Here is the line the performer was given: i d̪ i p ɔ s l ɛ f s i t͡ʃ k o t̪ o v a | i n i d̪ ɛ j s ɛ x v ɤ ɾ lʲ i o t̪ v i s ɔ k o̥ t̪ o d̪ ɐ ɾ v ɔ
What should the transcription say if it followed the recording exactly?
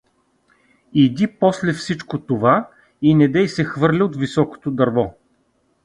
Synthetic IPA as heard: i d̪ i p ɔ s l ɛ f s i t͡ʃ k o t̪ o v a | i n ɛ d̪ ɛ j s ɛ x v ɤ ɾ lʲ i o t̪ v i s ɔ k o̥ t̪ o d̪ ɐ ɾ v ɔ